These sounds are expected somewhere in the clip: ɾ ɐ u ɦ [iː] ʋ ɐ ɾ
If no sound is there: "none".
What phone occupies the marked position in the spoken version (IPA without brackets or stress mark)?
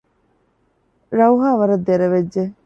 aː